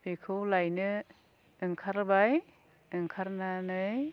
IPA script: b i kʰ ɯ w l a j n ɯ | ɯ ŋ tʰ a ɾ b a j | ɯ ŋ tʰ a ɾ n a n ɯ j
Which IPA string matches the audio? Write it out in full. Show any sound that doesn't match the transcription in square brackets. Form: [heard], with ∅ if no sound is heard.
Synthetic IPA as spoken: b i kʰ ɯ w l a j n ɯ | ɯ ŋ [kʰ] a ɾ b a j | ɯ ŋ [kʰ] a ɾ n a n ɯ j